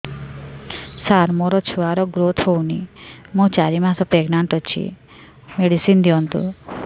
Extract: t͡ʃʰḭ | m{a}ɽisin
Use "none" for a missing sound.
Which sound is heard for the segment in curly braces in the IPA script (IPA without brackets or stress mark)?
e